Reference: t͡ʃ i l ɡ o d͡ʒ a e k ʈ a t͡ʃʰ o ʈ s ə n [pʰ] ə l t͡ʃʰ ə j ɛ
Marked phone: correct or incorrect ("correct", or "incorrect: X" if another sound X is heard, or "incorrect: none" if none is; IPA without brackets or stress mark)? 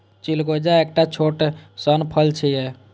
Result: correct